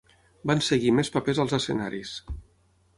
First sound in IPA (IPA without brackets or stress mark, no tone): b